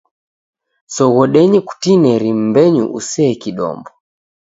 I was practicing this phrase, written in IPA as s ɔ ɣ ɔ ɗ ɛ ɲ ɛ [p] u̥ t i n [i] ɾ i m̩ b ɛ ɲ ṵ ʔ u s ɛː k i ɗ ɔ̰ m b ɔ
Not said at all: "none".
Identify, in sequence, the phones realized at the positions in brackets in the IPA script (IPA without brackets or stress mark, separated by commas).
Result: k, ɛ